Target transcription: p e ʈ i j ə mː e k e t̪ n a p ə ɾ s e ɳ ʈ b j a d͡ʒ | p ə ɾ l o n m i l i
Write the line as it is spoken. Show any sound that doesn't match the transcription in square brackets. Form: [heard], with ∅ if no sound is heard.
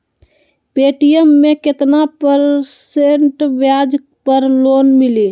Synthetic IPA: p e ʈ i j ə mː e k e t̪ n a p ə ɾ s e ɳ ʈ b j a d͡ʒ | p ə ɾ l o n m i l i